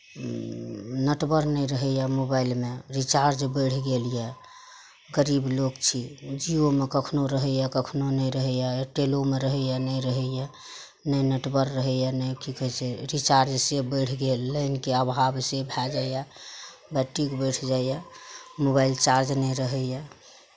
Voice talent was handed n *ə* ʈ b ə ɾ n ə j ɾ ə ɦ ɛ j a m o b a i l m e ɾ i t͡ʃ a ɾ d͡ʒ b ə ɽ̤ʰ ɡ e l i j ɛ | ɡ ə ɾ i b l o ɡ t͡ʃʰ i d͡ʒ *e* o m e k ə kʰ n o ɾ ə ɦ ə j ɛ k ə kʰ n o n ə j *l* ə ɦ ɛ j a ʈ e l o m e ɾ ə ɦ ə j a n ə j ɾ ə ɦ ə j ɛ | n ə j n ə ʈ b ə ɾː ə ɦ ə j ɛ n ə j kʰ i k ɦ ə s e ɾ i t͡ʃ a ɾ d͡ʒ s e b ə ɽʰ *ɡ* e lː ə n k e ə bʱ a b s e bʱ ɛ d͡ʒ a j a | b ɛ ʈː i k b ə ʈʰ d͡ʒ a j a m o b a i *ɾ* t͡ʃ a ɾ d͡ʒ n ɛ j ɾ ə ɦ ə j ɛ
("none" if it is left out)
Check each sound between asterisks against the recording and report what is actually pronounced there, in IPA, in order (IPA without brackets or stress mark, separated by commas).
ə, i, ɾ, ɡ, l